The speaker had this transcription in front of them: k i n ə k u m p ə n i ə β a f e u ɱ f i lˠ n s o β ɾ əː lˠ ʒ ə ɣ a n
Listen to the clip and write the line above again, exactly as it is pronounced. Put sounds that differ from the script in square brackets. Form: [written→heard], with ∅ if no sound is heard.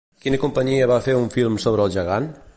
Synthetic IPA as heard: k i n ə k u m p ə [n→ɲ] i ə β a f e u ɱ f i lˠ [n→m] s o β ɾ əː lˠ ʒ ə ɣ a n